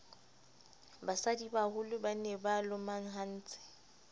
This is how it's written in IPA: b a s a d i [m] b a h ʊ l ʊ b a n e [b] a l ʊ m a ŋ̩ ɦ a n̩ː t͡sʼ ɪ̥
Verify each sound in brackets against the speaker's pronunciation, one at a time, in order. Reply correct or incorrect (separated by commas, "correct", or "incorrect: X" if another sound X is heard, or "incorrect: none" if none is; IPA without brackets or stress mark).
incorrect: none, correct